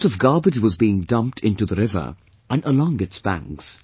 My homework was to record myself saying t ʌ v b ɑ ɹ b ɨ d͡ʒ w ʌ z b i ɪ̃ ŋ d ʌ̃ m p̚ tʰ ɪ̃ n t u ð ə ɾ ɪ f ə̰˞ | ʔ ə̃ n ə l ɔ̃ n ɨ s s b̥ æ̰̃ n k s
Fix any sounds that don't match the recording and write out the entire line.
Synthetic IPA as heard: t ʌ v ɡ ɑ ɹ b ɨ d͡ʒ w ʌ z b i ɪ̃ ŋ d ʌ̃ m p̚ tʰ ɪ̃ n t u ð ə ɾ ɪ v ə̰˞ | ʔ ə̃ n ə l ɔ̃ ŋ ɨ t s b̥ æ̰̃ ŋ k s